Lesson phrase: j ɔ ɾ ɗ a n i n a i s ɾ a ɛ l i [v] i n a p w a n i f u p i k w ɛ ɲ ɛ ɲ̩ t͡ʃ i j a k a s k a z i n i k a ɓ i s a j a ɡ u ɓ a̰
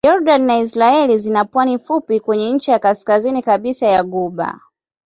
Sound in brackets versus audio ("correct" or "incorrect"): incorrect